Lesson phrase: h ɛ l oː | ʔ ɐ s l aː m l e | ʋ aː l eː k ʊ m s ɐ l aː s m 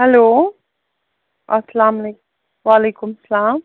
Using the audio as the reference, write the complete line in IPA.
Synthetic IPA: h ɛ l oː | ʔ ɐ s l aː m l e | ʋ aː l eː k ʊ m s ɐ l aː m